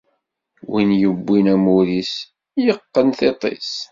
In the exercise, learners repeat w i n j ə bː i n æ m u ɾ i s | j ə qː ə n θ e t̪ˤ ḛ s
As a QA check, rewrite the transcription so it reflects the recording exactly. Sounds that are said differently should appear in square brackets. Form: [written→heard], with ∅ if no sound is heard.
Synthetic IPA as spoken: w i n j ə bː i n æ m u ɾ i s | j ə qː ə n θ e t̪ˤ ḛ s